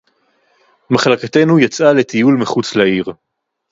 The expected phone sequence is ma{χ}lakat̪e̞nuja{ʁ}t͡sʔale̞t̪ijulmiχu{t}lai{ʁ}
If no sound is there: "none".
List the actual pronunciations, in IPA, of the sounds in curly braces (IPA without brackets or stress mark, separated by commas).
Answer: χ, none, t͡s, ʁ